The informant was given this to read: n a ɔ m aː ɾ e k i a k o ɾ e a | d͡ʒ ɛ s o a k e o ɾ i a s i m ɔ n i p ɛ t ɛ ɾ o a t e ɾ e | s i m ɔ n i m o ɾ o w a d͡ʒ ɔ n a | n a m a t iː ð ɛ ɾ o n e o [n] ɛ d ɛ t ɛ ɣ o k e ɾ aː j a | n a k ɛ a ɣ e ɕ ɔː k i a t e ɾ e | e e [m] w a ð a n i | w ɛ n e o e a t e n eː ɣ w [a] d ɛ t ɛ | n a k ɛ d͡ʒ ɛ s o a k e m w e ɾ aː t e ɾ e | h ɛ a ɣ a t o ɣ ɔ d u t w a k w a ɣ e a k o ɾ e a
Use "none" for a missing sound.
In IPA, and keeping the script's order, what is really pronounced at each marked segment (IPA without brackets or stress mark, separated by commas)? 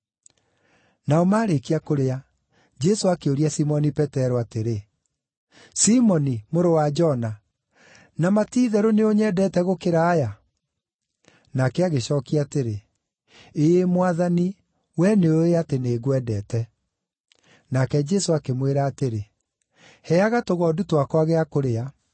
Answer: ɲ, m, ɛ